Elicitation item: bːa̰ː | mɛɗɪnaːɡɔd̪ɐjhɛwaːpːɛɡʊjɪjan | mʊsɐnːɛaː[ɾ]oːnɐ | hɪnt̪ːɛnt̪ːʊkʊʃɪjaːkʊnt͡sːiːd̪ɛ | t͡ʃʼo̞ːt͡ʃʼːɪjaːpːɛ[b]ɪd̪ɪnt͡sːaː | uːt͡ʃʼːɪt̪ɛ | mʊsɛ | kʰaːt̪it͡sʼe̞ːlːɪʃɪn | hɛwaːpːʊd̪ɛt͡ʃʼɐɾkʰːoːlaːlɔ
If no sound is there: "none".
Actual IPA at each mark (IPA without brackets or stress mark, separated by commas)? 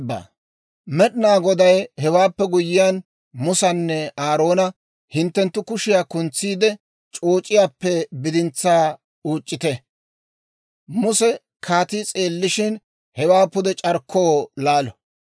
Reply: ɾ, b